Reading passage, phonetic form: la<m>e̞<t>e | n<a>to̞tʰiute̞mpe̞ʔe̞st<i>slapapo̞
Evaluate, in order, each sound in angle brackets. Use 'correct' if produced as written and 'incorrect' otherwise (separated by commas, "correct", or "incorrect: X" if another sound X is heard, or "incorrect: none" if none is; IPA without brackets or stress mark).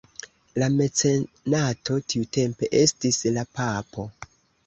correct, incorrect: t͡s, correct, correct